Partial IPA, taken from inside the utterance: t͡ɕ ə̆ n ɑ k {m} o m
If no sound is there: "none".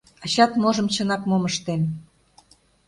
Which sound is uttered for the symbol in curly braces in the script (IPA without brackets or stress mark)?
m